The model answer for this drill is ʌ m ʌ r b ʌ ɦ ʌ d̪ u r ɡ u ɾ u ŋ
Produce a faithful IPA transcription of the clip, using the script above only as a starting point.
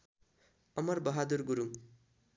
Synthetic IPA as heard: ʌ m ʌ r b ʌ ɦ a d̪ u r ɡ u ɾ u ŋ